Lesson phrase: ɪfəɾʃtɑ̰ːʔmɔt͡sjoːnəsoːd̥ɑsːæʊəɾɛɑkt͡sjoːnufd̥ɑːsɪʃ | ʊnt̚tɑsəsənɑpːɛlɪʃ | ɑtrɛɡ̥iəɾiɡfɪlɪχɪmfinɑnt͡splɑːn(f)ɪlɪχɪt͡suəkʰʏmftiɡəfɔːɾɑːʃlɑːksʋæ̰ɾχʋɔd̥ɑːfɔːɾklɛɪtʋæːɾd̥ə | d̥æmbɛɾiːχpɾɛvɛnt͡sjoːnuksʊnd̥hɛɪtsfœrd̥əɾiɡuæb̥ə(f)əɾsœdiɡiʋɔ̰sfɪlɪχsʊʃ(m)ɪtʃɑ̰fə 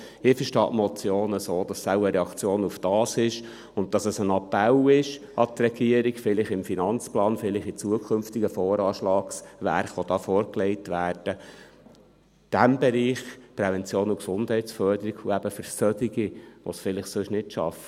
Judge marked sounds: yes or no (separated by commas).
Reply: yes, yes, no